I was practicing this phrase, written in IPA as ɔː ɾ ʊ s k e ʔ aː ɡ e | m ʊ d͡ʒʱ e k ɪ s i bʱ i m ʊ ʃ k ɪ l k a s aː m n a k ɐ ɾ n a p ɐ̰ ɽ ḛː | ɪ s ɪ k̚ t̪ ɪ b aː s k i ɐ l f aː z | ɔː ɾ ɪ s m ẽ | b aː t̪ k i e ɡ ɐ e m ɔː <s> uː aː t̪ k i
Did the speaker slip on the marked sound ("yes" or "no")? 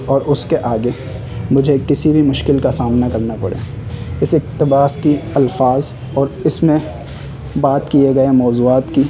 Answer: yes